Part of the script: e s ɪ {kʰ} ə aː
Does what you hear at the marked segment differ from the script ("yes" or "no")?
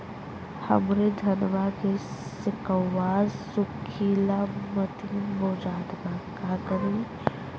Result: yes